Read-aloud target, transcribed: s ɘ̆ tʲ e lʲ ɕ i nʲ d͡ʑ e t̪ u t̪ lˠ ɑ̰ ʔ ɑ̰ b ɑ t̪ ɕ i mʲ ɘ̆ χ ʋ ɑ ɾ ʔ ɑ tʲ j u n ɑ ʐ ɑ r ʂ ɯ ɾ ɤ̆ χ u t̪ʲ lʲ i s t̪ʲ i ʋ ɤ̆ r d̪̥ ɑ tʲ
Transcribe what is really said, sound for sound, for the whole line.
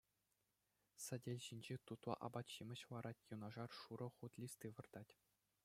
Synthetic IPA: s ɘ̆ dʲ e lʲ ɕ i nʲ d͡ʑ e t̪ u t̪ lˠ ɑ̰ ʔ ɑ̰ b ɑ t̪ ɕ i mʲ ɘ̆ ɕ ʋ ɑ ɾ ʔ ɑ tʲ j u n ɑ ʐ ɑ r ʂ u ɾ ɤ̆ χ u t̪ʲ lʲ i s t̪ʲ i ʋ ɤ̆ r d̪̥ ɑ tʲ